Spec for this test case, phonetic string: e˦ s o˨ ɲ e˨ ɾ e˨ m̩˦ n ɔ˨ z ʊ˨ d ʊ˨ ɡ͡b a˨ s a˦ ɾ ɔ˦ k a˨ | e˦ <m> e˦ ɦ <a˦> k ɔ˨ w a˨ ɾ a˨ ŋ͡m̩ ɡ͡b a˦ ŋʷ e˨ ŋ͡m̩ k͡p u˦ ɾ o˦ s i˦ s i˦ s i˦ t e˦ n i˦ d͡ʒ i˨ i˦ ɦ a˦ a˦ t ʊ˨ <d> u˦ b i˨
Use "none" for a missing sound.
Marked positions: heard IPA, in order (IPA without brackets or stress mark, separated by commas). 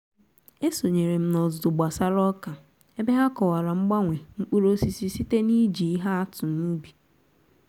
b, a˦, n